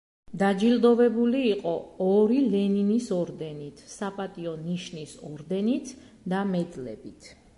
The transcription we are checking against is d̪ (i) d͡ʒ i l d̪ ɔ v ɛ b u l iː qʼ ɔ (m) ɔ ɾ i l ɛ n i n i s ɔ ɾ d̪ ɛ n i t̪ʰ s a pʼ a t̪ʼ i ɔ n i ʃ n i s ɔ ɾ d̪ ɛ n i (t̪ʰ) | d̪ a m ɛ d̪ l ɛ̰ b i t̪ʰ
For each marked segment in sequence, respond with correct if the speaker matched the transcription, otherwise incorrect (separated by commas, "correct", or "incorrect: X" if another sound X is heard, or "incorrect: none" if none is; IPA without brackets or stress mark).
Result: incorrect: a, incorrect: none, correct